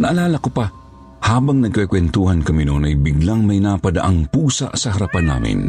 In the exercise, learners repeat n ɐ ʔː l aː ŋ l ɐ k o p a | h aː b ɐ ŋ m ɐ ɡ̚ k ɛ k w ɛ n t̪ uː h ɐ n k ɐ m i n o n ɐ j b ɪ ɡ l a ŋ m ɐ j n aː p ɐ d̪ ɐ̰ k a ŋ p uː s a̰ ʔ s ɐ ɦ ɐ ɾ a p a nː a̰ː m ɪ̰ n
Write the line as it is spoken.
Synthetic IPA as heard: n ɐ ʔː l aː l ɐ k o p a | h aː b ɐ ŋ n ɐ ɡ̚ k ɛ k w ɛ n t̪ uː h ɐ n k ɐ m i n o n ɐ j b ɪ ɡ l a ŋ m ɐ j n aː p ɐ d̪ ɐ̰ ʔ a ŋ p uː s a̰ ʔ s ɐ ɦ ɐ ɾ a p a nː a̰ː m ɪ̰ n